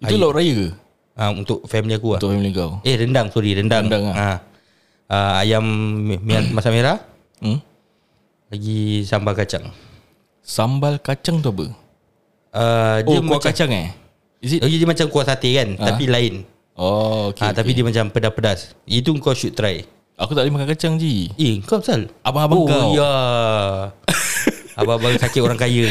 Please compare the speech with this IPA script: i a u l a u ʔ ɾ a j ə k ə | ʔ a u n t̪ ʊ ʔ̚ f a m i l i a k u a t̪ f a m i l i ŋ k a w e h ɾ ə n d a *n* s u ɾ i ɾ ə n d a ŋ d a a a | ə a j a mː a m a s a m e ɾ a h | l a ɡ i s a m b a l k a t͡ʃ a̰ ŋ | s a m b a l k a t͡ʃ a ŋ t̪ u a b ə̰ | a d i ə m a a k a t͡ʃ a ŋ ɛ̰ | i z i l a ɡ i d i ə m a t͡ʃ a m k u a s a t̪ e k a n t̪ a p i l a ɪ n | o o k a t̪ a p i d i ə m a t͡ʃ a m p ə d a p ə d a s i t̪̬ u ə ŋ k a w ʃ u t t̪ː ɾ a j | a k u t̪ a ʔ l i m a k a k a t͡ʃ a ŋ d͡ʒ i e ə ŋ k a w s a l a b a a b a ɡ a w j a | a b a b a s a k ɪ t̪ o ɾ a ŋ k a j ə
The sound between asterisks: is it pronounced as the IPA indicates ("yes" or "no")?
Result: no